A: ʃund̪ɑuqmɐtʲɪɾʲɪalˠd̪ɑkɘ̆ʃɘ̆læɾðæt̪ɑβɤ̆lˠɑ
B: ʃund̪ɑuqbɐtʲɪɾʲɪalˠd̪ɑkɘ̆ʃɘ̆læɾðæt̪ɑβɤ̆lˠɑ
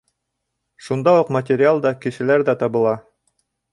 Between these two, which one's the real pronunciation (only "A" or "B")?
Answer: A